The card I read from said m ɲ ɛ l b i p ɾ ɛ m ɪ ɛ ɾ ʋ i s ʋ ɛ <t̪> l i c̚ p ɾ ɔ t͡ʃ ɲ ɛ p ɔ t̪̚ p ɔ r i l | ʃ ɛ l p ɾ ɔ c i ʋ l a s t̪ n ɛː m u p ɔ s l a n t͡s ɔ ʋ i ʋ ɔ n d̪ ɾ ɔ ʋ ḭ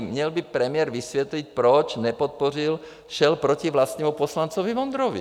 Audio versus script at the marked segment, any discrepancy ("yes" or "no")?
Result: no